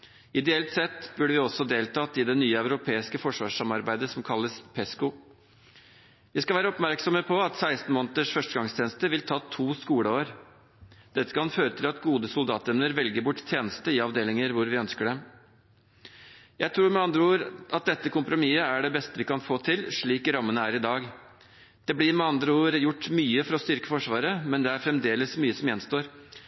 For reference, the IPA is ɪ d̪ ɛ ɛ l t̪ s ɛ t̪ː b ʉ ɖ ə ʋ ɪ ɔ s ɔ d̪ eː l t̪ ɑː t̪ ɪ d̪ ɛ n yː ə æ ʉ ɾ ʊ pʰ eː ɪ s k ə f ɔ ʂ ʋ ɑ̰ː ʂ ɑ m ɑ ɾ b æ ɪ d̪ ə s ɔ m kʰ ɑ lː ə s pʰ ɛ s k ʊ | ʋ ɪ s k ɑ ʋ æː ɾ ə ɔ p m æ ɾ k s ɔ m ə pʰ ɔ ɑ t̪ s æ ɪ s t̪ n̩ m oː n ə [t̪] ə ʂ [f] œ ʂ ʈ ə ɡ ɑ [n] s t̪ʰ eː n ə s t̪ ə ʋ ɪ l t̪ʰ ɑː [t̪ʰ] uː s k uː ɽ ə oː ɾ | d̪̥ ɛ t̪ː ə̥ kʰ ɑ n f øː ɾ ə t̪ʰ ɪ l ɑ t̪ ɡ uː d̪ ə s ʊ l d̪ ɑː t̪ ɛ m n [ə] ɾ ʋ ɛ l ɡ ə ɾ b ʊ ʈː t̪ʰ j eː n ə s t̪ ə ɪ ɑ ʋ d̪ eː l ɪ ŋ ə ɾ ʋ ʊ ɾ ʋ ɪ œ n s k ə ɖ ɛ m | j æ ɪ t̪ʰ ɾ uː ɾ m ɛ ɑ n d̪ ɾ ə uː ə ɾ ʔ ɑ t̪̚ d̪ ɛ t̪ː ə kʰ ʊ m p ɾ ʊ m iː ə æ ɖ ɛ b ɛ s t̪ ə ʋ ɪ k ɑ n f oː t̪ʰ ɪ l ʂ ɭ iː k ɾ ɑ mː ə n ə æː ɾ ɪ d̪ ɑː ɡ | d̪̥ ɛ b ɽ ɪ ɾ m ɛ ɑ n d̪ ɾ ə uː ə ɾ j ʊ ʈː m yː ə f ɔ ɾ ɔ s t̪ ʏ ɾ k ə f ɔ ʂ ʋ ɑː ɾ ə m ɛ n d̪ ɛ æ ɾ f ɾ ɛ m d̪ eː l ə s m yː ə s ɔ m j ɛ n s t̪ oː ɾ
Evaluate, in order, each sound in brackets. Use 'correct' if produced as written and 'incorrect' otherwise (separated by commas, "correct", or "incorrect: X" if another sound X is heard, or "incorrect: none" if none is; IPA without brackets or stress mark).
correct, correct, incorrect: ŋ, correct, correct